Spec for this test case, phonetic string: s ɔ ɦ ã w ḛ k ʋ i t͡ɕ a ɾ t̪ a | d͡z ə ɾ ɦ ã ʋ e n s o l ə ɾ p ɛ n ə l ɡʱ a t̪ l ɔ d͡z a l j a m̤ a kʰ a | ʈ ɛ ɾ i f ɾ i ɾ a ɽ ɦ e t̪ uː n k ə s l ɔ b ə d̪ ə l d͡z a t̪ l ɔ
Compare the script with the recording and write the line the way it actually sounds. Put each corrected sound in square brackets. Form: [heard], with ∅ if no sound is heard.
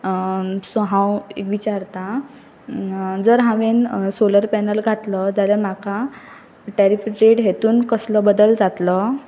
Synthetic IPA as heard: s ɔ ɦ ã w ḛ k ʋ i t͡ɕ a ɾ t̪ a | d͡z ə ɾ ɦ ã ʋ e n s o l ə ɾ p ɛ n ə l ɡʱ a t̪ l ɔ d͡z a l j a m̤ a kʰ a | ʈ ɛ ɾ i f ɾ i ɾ [e] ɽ ɦ e t̪ uː n k ə s l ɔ b ə d̪ ə l d͡z a t̪ l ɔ